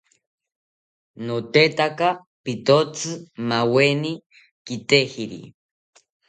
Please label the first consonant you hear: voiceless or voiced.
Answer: voiced